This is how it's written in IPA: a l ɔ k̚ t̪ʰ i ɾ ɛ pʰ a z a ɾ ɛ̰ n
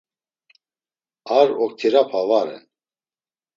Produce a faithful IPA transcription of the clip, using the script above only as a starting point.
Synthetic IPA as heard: a ɾ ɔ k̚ t̪ʰ i ɾ a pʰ a v a ɾ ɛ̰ n